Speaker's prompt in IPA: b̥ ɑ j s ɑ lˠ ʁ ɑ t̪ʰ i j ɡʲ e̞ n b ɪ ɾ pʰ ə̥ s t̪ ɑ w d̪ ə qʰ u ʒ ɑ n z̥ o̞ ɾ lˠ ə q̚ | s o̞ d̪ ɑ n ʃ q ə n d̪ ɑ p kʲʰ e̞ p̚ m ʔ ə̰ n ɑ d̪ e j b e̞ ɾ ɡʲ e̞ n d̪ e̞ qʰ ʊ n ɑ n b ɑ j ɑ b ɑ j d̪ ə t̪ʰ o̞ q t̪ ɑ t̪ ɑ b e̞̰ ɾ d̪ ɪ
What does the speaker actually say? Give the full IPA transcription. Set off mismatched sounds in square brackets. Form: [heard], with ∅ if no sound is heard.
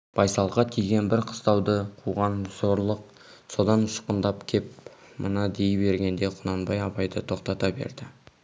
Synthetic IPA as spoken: b̥ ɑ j s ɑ lˠ ʁ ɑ t̪ʰ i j ɡʲ e̞ n b ɪ ɾ [qʰ] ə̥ s t̪ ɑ w d̪ ə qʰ u [ʁ] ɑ n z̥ o̞ ɾ lˠ ə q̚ | s o̞ d̪ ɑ n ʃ q ə n d̪ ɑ p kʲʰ e̞ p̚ m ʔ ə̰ n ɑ d̪ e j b e̞ ɾ ɡʲ e̞ n d̪ e̞ qʰ ʊ n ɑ n b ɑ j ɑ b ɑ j d̪ ə t̪ʰ o̞ q t̪ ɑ t̪ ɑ b e̞̰ ɾ d̪ ɪ

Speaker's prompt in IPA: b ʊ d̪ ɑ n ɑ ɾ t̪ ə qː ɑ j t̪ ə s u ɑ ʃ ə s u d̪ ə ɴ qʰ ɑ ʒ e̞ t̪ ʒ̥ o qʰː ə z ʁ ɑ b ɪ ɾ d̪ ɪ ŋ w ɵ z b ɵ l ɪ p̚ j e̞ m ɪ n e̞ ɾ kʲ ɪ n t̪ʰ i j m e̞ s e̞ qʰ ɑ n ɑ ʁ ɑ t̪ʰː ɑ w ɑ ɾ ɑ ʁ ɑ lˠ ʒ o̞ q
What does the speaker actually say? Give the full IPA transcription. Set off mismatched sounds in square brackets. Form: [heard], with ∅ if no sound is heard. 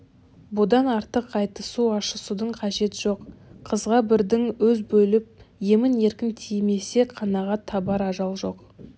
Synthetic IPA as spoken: b ʊ d̪ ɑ n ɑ ɾ t̪ ə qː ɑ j t̪ ə s u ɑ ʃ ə s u d̪ ə ɴ qʰ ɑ ʒ e̞ t̪ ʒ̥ o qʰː ə z ʁ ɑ b ɪ ɾ d̪ ɪ ŋ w ɵ z b ɵ l ɪ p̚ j e̞ m ɪ n e̞ ɾ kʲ ɪ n t̪ʰ i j m e̞ s e̞ qʰ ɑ n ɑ ʁ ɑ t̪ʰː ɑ [b] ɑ ɾ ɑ [ʒ] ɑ lˠ ʒ o̞ q

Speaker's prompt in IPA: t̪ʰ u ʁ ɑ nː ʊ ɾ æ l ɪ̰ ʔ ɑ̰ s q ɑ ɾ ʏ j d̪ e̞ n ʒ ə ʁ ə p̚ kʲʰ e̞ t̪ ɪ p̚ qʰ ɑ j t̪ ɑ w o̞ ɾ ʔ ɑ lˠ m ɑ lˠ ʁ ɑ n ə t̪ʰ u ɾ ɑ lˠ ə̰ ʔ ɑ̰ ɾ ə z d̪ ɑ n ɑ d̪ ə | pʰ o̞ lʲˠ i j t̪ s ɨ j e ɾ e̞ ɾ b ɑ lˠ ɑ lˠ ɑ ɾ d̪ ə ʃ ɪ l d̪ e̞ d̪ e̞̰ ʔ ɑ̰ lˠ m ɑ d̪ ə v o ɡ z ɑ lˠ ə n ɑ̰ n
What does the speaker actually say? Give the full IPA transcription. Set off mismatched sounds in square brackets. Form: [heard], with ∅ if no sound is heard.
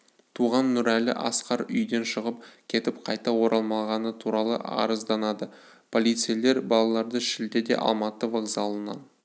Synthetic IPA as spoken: t̪ʰ u ʁ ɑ nː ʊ ɾ æ l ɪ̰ ʔ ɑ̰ s q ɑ ɾ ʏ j d̪ e̞ n [ʃ] ə ʁ ə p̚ kʲʰ e̞ t̪ ɪ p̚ qʰ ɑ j t̪ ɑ w o̞ ɾ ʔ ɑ lˠ m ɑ lˠ ʁ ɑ n ə t̪ʰ u ɾ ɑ lˠ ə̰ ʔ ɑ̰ ɾ ə z d̪ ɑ n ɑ d̪ ə | pʰ o̞ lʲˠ i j t̪ s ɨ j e [l] e̞ ɾ b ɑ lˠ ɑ lˠ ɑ ɾ d̪ ə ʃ ɪ l d̪ e̞ d̪ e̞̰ ʔ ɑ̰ lˠ m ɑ [t̪] ə v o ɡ z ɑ lˠ ə n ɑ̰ n

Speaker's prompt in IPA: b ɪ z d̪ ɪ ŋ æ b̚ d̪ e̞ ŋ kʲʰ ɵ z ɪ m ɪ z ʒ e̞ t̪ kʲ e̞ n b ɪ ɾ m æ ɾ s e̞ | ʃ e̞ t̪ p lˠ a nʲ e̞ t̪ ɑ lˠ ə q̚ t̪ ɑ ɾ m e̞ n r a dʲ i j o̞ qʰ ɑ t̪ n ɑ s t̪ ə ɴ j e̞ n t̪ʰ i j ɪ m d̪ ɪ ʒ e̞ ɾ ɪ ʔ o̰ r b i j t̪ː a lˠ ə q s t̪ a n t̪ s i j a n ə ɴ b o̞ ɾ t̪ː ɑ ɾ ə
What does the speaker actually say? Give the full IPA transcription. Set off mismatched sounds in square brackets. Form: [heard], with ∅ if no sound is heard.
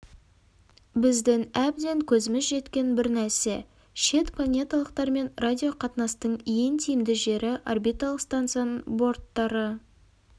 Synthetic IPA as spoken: b ɪ z d̪ ɪ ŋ æ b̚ d̪ e̞ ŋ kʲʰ ɵ z ɪ m ɪ z ʒ e̞ t̪ kʲ e̞ n b ɪ ɾ [n] æ ɾ s e̞ | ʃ e̞ t̪ p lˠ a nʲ e̞ t̪ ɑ lˠ ə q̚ t̪ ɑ ɾ m e̞ n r a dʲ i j o̞ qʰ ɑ t̪ n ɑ s t̪ ə ɴ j e̞ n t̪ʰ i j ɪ m d̪ ɪ ʒ e̞ ɾ ɪ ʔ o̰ r b i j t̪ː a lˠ ə q s t̪ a n t̪ s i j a n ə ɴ b o̞ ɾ t̪ː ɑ ɾ ə

